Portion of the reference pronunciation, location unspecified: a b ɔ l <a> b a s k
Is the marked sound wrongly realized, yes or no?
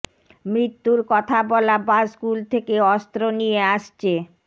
no